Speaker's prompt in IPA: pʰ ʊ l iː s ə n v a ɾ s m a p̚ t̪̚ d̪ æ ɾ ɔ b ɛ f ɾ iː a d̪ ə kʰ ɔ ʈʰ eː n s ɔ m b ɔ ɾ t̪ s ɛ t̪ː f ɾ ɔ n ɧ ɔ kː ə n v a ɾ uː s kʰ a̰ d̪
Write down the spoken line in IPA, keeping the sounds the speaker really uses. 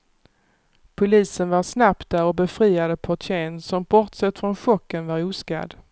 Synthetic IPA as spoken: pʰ ʊ l iː s ə n v a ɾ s n a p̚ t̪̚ d̪ æ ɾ ɔ b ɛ f ɾ iː a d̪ ə pʰ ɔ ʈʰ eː n s ɔ m b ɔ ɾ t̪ s ɛ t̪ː f ɾ ɔ n ɧ ɔ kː ə n v a ɾ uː s k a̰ d̪